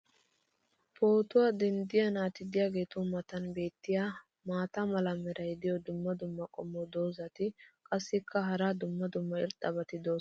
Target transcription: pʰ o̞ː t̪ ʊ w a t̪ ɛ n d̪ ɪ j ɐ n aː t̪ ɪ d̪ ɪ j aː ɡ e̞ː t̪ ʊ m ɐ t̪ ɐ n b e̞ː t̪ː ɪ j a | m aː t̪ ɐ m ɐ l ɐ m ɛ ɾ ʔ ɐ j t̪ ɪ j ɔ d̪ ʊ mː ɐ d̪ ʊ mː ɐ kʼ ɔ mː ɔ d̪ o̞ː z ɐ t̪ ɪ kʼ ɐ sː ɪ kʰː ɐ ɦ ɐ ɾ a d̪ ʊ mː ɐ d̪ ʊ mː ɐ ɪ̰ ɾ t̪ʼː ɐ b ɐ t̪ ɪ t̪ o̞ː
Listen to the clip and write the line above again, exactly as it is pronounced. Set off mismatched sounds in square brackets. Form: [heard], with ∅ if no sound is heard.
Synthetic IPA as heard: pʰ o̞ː t̪ ʊ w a [d̪] ɛ n d̪ ɪ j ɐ n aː t̪ ɪ d̪ ɪ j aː ɡ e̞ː t̪ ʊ m ɐ t̪ ɐ n b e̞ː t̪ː ɪ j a | m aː t̪ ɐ m ɐ l ɐ m ɛ ɾ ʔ ɐ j [d̪] ɪ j ɔ d̪ ʊ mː ɐ d̪ ʊ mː ɐ kʼ ɔ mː ɔ d̪ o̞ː z ɐ t̪ ɪ kʼ ɐ sː ɪ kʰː ɐ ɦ ɐ ɾ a d̪ ʊ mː ɐ d̪ ʊ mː ɐ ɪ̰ ɾ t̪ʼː ɐ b ɐ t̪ ɪ [d̪] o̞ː